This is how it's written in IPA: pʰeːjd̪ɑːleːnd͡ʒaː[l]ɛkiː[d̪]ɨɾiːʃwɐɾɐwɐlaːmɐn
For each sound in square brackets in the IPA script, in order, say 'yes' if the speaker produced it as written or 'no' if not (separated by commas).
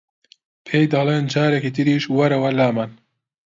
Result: no, no